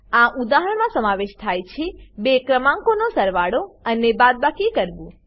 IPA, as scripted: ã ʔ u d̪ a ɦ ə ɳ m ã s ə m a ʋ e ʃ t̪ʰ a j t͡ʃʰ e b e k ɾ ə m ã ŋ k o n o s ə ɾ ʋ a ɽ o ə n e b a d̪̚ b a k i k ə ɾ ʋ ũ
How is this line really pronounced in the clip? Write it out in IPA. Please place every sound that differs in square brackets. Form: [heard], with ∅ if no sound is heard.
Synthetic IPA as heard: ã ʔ u d̪ a ɦ ə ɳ m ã s ə m a ʋ e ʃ t̪ʰ a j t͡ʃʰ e b e k ɾ ə m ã ŋ k o n o s ə ɾ ʋ a ɽ o ə n e b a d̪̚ b a k i k ə ɾ ʋ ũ